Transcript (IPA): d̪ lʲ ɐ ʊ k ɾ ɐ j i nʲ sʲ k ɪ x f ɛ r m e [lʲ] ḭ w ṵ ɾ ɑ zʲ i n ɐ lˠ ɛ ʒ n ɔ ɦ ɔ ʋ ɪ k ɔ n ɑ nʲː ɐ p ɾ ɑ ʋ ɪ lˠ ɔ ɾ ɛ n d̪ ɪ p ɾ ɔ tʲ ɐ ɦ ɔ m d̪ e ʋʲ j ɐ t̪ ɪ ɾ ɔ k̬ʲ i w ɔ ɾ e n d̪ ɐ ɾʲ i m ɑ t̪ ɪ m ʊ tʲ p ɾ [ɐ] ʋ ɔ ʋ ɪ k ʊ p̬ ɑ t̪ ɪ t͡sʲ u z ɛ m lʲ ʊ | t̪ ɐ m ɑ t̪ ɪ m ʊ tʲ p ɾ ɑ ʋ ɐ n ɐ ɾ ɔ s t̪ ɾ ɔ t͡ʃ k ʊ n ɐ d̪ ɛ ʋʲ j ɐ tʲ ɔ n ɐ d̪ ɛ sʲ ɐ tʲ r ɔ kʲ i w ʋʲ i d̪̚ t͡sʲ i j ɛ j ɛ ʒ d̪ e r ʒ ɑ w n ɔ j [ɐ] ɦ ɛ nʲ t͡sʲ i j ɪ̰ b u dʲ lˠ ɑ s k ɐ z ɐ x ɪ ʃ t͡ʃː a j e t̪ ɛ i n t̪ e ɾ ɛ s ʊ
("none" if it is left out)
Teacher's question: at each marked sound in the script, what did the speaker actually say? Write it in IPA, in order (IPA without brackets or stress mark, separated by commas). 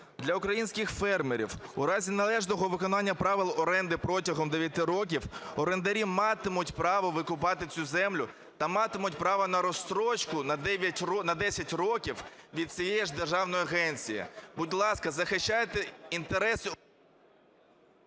ɾʲ, ɑ, ɐ